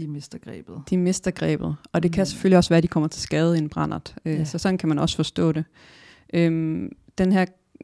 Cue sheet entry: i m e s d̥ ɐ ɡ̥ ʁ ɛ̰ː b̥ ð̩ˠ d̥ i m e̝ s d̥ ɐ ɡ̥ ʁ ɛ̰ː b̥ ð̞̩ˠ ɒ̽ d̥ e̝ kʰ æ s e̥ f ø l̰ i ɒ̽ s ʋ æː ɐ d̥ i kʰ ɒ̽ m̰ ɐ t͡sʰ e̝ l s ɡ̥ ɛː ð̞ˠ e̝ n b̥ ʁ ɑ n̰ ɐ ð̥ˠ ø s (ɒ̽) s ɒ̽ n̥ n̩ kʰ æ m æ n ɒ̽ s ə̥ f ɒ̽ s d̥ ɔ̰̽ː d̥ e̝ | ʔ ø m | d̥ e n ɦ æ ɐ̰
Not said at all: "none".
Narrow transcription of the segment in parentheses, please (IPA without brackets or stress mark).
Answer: ɒ̽